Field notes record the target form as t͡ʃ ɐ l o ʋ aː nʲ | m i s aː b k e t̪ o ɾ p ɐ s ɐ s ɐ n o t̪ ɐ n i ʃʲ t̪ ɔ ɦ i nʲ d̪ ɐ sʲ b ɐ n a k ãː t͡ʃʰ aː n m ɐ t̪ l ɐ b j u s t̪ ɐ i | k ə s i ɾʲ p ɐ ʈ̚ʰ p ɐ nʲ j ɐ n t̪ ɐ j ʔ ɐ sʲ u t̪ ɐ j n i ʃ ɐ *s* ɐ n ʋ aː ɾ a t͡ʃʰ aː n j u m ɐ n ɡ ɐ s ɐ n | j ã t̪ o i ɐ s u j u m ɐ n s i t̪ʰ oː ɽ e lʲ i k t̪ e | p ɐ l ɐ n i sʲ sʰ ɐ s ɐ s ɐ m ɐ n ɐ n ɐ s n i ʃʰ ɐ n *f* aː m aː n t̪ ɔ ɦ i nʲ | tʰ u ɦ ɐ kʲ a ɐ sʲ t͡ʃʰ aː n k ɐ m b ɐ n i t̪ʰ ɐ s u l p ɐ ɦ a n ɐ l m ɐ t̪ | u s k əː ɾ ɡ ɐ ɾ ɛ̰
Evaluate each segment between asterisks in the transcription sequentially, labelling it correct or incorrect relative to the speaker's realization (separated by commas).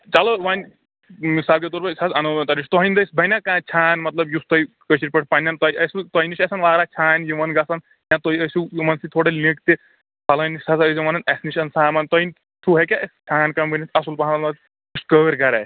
correct, incorrect